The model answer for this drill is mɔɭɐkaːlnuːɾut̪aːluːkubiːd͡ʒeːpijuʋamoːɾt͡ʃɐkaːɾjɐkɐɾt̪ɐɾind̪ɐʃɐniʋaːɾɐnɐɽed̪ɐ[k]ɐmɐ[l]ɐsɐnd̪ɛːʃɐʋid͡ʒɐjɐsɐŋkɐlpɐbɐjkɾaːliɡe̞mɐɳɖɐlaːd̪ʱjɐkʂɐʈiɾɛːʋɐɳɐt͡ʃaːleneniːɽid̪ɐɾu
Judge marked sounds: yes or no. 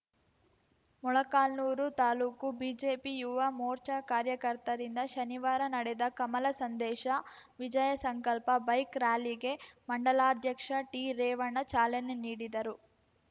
yes, yes

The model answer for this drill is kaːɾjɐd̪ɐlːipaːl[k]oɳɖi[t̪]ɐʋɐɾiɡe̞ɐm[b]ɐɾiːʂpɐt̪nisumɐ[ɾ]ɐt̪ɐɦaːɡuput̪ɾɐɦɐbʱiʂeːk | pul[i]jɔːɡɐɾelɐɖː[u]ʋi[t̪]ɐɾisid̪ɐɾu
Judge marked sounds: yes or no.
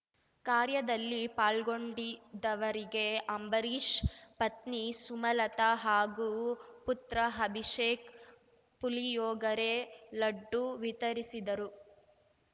no, no, yes, no, yes, yes, yes

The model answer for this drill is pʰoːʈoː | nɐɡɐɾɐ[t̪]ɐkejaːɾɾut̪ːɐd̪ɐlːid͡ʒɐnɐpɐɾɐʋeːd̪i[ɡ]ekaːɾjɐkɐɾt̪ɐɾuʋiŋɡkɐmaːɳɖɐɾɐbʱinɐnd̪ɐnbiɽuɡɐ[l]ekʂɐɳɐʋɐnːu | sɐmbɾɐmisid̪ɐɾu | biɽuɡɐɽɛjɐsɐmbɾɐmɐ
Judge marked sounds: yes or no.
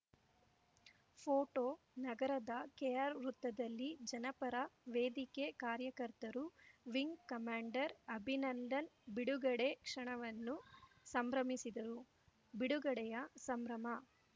no, no, no

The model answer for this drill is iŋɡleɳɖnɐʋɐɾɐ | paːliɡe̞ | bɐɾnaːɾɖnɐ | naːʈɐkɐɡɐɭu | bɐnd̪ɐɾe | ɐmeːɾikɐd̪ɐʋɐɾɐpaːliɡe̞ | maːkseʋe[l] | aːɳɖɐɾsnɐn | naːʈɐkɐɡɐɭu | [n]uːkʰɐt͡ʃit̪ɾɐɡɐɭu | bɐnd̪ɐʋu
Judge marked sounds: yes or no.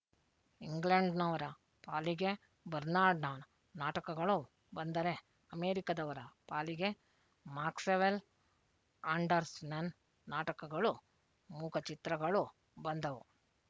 yes, no

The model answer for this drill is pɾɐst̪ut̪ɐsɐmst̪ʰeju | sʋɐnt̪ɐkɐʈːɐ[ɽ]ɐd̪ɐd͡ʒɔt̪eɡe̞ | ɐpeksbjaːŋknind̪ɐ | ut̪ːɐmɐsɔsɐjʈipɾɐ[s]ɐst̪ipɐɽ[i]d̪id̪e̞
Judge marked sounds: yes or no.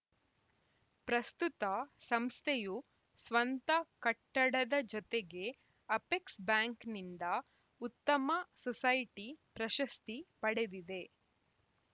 yes, no, no

